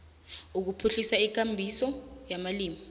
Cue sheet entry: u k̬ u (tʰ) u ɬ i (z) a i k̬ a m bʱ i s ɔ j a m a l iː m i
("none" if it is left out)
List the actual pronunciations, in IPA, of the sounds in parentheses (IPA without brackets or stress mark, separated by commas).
pʰ, s